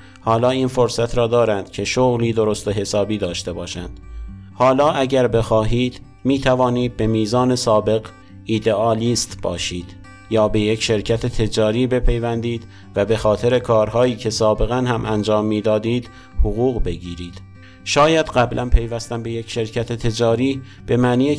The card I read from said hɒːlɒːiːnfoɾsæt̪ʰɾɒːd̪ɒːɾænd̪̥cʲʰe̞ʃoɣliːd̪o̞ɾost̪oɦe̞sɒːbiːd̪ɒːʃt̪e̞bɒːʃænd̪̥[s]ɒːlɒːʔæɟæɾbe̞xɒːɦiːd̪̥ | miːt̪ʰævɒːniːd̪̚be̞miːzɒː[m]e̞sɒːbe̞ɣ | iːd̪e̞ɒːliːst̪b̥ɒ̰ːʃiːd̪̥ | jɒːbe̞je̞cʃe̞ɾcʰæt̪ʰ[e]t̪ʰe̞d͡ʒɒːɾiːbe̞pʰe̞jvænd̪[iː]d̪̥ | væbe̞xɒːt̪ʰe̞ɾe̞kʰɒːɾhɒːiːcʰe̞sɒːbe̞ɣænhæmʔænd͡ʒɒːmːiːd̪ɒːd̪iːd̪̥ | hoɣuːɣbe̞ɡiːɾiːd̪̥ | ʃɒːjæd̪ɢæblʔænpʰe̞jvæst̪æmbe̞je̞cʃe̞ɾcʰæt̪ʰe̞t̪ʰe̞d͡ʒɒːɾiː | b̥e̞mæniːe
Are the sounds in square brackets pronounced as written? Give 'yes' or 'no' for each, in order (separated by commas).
no, no, yes, yes